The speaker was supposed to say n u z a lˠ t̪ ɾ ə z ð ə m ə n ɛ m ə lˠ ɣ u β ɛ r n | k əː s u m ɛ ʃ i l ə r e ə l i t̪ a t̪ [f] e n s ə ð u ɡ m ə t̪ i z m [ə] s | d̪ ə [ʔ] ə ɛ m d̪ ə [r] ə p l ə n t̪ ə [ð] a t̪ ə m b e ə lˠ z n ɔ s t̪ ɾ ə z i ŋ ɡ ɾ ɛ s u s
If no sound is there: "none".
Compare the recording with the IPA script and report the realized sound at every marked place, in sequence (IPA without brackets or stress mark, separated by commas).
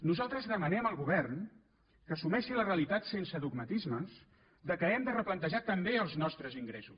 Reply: s, ə, k, r, ʒ